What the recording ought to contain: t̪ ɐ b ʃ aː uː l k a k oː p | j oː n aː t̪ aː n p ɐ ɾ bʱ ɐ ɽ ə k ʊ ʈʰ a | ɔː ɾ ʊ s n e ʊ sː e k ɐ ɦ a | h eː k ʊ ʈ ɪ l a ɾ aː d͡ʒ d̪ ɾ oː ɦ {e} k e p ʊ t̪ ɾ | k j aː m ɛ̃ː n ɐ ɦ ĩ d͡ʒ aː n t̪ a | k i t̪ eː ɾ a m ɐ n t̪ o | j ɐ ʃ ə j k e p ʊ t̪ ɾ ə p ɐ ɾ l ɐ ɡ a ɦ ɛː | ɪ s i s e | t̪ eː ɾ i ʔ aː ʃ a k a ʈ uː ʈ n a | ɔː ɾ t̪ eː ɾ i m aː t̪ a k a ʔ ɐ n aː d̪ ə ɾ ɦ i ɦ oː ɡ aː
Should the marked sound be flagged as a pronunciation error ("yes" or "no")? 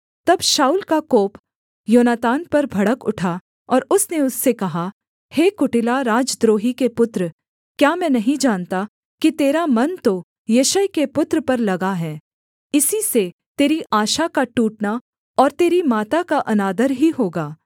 yes